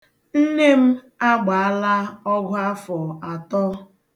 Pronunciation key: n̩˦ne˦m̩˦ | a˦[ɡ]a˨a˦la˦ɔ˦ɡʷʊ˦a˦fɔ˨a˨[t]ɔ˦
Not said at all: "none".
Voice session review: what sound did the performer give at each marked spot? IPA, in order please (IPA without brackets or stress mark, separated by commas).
ɡ͡b, t